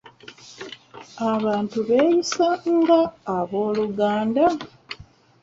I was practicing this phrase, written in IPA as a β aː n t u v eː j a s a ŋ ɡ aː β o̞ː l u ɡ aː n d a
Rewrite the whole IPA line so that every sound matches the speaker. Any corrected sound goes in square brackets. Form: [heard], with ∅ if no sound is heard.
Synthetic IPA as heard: a β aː n t u [β] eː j [i] s a ŋ ɡ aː β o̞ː l u ɡ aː n d a